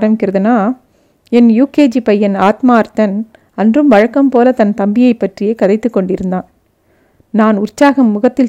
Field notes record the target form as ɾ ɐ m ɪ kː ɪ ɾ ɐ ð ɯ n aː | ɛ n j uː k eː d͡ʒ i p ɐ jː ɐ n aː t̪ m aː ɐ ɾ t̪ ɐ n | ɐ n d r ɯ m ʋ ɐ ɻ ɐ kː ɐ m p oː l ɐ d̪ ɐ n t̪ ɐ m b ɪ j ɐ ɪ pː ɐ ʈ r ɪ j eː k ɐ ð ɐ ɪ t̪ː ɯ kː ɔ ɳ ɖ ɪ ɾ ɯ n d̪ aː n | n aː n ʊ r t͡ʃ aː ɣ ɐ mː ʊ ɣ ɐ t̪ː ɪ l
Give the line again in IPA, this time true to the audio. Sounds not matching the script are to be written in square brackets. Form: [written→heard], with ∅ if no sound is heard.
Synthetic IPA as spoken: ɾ ɐ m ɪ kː ɪ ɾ ɐ ð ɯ n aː | ɛ n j uː k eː d͡ʒ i p ɐ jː ɐ n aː t̪ m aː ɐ ɾ t̪ ɐ n | ɐ n d r ɯ m ʋ ɐ ɻ ɐ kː ɐ m p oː l ɐ [d̪→t̪] ɐ n t̪ ɐ m b ɪ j ɐ ɪ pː ɐ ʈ r ɪ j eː k ɐ ð ɐ ɪ t̪ː ɯ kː ɔ ɳ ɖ ɪ ɾ ɯ n d̪ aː n | n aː n ʊ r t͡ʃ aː ɣ ɐ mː ʊ ɣ ɐ t̪ː ɪ l